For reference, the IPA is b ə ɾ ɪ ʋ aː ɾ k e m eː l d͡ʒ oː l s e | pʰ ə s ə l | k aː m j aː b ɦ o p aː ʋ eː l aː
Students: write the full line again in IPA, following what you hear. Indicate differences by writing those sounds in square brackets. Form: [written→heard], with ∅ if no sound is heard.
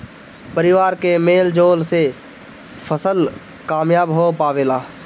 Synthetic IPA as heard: [b→p] ə ɾ ɪ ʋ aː ɾ k e m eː l d͡ʒ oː l s e | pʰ ə s ə l | k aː m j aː b ɦ o p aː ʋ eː l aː